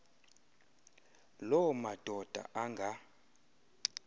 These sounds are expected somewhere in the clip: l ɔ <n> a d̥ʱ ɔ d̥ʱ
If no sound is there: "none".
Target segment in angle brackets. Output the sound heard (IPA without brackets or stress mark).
m